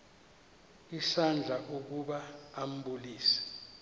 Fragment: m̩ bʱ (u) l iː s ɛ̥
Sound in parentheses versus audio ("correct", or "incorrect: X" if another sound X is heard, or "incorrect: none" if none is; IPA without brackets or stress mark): correct